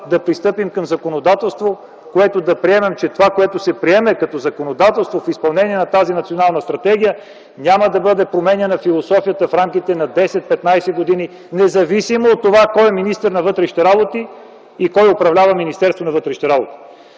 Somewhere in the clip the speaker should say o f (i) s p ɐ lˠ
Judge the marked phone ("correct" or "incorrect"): correct